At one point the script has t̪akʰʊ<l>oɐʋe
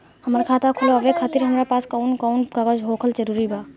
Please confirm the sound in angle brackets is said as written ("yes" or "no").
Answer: yes